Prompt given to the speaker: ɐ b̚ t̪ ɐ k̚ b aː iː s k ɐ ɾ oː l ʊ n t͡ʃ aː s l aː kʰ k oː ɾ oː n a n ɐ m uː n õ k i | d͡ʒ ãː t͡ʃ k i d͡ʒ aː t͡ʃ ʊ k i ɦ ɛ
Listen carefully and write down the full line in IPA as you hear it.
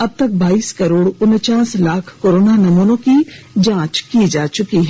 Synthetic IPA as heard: ɐ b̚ t̪ ɐ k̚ b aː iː s k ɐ ɾ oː ɽ ʊ n t͡ʃ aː s l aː kʰ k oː ɾ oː n a n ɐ m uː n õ k i | d͡ʒ ãː t͡ʃ k i d͡ʒ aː t͡ʃ ʊ k i ɦ ɛ